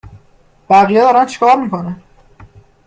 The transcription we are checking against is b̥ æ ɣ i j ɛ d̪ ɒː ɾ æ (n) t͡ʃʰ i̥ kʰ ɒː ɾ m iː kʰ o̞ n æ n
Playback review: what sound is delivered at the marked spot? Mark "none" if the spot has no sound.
n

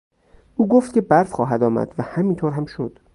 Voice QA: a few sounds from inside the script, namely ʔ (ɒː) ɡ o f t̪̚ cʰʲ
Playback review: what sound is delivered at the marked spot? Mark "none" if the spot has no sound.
uː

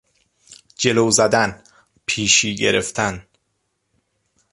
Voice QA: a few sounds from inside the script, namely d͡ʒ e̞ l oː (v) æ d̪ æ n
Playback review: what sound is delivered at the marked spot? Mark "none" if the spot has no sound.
z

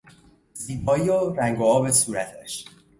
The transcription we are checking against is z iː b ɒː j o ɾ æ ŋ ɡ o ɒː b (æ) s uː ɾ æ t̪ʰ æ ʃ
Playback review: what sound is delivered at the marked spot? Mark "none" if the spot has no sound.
e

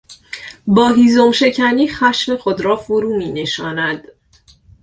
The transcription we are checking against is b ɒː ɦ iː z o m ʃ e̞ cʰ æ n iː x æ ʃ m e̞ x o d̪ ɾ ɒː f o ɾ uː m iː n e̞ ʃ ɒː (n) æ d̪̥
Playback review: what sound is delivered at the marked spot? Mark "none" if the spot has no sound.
n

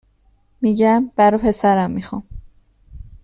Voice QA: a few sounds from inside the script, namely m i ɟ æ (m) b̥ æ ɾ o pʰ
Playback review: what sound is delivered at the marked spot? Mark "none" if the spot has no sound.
m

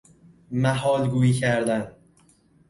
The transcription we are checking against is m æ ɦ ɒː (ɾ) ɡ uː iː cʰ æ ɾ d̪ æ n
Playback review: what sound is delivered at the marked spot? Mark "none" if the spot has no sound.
l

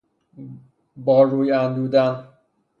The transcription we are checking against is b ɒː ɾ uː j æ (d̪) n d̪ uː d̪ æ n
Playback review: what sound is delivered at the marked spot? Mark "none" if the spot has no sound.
none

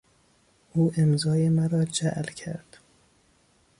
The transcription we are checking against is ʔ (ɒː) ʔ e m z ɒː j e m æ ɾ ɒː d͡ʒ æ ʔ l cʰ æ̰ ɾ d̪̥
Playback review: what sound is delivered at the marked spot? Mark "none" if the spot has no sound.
uː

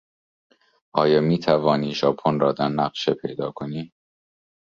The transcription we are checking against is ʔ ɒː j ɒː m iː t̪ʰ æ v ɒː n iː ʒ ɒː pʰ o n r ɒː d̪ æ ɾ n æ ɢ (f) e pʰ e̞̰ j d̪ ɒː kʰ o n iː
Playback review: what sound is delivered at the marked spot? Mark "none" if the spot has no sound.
ʃ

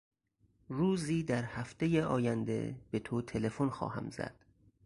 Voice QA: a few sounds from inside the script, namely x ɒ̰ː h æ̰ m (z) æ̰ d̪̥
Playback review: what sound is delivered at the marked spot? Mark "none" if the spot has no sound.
z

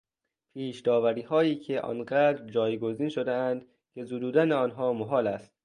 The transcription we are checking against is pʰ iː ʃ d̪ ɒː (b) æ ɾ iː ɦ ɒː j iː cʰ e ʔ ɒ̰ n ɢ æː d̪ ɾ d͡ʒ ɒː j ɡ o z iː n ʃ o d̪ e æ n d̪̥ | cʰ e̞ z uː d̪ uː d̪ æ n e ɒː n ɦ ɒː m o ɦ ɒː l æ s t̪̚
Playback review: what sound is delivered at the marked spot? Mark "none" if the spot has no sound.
v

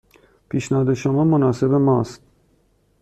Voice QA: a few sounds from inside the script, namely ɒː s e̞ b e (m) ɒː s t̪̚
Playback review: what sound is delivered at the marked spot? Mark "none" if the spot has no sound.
m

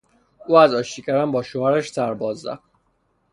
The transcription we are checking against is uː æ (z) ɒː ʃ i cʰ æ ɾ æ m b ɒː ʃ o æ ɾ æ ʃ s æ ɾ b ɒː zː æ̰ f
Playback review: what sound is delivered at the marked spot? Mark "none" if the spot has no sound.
z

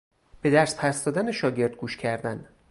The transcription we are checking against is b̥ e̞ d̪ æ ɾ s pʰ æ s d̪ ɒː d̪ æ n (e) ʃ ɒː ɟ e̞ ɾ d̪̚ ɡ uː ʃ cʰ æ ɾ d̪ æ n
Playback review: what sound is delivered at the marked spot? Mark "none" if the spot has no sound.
e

